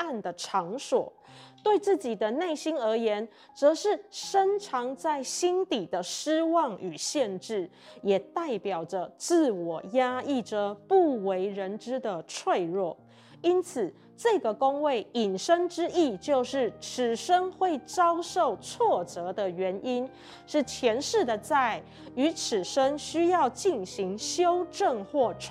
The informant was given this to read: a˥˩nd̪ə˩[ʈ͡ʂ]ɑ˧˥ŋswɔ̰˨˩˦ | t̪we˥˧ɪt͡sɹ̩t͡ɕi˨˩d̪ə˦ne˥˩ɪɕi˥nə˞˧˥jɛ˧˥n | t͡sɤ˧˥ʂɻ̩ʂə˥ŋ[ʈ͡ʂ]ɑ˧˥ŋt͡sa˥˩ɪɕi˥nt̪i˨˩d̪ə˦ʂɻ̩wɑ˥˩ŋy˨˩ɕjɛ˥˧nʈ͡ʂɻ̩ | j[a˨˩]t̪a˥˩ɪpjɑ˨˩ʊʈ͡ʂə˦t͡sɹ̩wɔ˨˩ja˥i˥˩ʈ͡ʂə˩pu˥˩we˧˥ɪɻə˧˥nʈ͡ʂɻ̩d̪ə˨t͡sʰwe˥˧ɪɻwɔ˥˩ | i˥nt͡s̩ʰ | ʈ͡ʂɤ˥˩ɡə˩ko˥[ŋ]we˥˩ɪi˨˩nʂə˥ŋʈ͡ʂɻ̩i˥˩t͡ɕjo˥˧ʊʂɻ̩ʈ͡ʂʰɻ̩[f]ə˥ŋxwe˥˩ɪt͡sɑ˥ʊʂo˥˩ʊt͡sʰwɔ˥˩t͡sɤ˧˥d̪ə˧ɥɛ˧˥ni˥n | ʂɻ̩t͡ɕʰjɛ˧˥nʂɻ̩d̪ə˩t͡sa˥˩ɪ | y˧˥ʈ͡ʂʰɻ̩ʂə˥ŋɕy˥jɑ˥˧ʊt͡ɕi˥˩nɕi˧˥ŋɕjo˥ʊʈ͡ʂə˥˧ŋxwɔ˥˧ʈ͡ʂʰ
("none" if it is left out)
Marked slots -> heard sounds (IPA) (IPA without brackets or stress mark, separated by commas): ʈ͡ʂʰ, ʈ͡ʂʰ, ɛ˨˩, ŋ, ʂ